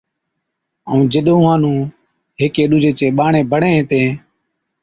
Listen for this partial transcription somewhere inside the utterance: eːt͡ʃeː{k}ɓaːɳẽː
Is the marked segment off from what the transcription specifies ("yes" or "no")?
yes